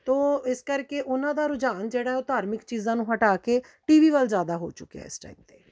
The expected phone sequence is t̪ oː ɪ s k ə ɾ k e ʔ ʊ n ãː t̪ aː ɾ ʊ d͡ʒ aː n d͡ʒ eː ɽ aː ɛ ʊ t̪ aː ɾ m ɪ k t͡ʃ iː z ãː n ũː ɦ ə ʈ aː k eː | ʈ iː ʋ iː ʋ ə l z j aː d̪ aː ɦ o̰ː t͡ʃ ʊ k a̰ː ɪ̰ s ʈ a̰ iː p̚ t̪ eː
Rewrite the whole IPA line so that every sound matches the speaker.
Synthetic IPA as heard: t̪ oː ɪ s k ə ɾ k e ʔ ʊ n ãː d̪ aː ɾ ʊ d͡ʒ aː n d͡ʒ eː ɽ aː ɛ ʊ t̪ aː ɾ m ɪ k t͡ʃ iː z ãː n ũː ɦ ə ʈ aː k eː | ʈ iː ʋ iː ʋ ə l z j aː d̪ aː ɦ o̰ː t͡ʃ ʊ k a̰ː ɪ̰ s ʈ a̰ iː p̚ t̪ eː